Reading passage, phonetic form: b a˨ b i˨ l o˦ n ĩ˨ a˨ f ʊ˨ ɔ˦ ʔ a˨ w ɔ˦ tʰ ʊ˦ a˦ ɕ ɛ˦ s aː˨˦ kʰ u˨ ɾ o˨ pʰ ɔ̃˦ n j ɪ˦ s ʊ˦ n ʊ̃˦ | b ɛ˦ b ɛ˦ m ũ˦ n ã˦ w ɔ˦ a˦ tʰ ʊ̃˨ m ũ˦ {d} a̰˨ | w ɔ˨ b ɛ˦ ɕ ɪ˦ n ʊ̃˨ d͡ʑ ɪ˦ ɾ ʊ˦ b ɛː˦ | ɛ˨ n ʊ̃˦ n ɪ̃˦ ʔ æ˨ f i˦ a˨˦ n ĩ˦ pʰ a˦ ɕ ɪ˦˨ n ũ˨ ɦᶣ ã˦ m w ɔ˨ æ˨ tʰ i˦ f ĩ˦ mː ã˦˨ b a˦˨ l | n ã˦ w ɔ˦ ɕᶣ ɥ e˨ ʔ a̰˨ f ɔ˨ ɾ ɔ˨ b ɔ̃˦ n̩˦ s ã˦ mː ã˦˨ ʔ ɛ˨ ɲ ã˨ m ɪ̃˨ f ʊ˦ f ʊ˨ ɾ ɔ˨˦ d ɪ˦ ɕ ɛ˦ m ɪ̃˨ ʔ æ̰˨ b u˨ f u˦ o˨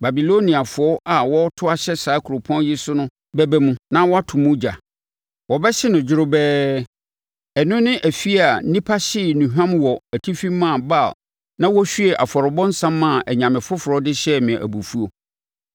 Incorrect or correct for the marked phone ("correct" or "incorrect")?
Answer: incorrect